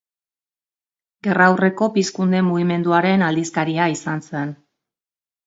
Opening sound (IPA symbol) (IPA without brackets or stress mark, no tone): ɡ